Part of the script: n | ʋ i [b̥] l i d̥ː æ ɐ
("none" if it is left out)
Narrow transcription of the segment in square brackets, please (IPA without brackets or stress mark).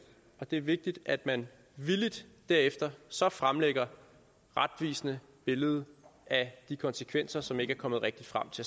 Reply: none